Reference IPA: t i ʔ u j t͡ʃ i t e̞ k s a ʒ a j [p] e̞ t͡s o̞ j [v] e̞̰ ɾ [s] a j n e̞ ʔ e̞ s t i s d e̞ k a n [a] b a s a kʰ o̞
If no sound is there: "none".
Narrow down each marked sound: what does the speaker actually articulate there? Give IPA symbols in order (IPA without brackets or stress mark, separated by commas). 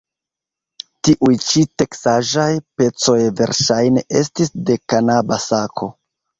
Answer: p, v, ʃ, a